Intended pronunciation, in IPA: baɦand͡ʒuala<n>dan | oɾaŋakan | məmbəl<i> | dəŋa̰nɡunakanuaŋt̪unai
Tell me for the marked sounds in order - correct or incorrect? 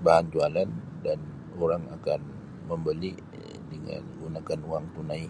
correct, correct

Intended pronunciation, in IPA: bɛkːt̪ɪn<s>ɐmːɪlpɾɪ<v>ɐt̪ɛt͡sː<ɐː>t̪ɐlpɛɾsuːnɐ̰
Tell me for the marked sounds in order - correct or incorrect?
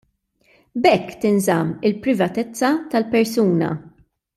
incorrect: z, correct, incorrect: ɐ

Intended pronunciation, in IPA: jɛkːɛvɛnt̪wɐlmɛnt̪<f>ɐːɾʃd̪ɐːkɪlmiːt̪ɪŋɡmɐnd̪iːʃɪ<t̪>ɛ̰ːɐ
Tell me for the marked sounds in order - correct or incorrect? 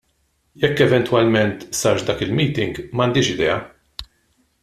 incorrect: s, incorrect: d̪

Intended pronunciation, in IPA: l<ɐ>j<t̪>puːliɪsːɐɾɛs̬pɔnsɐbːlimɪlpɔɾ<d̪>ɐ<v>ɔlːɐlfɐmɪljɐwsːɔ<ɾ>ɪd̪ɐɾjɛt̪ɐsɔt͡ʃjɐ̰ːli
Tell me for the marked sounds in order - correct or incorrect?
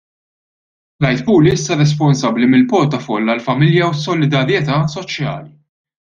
correct, correct, incorrect: t̪, incorrect: f, incorrect: l

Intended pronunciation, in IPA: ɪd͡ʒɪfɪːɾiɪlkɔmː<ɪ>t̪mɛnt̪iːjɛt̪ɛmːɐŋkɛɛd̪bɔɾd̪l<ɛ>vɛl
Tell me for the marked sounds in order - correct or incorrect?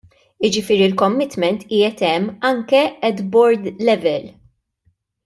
correct, correct

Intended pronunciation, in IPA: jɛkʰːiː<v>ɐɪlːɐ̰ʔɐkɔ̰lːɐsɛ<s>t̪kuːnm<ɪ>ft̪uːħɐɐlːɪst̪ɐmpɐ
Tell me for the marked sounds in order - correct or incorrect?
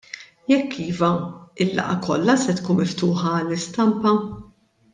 correct, incorrect: none, correct

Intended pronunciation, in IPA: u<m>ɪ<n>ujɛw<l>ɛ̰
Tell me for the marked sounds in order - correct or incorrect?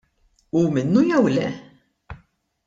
correct, incorrect: nː, correct

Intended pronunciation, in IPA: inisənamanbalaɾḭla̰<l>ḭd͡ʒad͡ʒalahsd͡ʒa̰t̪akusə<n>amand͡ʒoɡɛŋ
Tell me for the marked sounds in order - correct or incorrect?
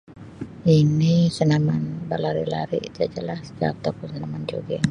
incorrect: ɾ, correct

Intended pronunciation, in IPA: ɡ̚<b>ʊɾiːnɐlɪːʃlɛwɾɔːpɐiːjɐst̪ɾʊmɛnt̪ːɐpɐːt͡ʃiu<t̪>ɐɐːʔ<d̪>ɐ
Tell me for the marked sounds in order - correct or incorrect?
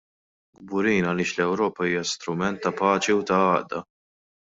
correct, correct, correct

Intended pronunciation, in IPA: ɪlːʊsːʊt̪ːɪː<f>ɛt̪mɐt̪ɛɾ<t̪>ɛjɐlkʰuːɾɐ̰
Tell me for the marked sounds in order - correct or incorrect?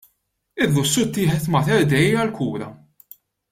incorrect: ħ, incorrect: d̪

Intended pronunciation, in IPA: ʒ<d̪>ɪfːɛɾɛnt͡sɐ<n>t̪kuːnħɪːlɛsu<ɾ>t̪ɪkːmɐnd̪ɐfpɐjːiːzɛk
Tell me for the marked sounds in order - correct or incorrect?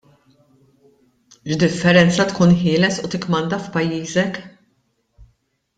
correct, incorrect: none, incorrect: none

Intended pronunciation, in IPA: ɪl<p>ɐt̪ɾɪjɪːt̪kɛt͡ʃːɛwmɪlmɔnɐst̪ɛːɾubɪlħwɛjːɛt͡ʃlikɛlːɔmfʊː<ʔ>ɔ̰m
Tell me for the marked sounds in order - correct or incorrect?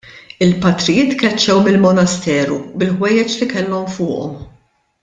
correct, correct

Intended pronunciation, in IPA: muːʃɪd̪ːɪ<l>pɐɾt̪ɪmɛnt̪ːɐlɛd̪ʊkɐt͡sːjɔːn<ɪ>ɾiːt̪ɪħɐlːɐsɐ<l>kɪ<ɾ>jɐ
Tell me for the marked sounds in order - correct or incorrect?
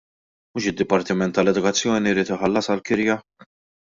incorrect: none, incorrect: i, correct, correct

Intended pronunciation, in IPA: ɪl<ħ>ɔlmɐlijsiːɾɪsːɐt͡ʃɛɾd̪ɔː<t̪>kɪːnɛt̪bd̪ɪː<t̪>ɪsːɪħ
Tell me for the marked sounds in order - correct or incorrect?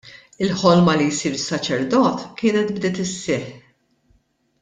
correct, correct, correct

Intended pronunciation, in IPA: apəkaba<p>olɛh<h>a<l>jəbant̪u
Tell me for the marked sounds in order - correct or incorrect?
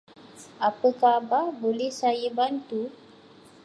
incorrect: b, incorrect: s, incorrect: none

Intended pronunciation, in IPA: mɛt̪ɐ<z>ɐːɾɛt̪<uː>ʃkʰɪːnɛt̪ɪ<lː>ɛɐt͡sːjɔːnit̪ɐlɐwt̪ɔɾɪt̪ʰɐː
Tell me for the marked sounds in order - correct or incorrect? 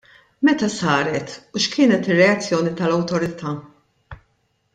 incorrect: s, incorrect: u, incorrect: rː

